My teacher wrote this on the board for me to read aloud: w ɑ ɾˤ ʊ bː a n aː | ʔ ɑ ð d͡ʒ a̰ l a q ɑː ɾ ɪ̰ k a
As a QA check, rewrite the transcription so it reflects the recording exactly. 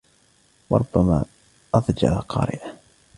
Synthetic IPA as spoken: w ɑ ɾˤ ʊ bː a m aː | ʔ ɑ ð d͡ʒ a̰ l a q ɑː ɾ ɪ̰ ʔ a